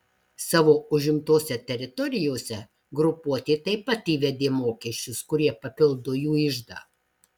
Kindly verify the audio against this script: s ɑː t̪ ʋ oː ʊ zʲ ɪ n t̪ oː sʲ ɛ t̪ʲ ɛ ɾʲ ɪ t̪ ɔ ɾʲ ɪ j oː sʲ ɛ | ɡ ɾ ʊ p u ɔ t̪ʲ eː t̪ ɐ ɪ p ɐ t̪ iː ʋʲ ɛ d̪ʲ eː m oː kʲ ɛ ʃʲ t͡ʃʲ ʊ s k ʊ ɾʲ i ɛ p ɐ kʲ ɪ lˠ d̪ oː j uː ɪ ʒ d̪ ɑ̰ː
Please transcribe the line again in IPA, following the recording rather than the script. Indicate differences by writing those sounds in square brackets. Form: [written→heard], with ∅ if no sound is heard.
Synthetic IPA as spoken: s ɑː [t̪→∅] ʋ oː ʊ [zʲ→ʒʲ] ɪ [n→m] t̪ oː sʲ ɛ t̪ʲ ɛ ɾʲ ɪ t̪ ɔ ɾʲ ɪ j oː sʲ ɛ | ɡ ɾ ʊ p u ɔ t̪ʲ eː t̪ ɐ ɪ p ɐ t̪ iː ʋʲ ɛ d̪ʲ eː m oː kʲ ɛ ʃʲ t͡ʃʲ ʊ s k ʊ ɾʲ i ɛ p ɐ [kʲ→pʲ] ɪ lˠ d̪ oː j uː ɪ ʒ d̪ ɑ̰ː